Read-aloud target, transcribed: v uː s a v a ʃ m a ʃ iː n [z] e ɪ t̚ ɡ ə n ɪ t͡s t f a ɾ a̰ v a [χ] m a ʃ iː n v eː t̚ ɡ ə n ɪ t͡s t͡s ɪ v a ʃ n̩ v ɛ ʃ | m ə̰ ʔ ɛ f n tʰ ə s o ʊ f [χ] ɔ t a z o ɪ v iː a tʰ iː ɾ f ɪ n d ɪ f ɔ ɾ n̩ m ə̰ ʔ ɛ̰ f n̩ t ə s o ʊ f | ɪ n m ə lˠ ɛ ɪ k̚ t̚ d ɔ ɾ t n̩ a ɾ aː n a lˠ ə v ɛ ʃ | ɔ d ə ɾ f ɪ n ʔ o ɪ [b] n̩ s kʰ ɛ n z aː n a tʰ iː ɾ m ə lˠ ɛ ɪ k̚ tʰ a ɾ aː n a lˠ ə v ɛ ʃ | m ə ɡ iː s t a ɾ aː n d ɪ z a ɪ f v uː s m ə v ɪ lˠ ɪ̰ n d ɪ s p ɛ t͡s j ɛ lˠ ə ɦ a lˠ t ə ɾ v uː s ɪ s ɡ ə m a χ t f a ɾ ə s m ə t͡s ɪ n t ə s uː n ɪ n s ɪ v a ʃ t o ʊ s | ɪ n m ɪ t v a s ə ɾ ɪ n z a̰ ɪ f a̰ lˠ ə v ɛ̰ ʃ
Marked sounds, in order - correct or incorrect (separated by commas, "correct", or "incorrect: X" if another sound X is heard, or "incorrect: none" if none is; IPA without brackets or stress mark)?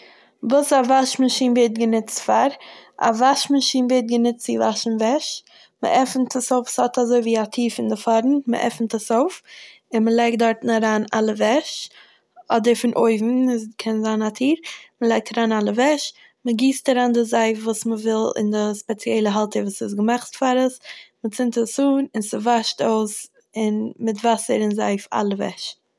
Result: incorrect: v, incorrect: ʃ, incorrect: s, incorrect: v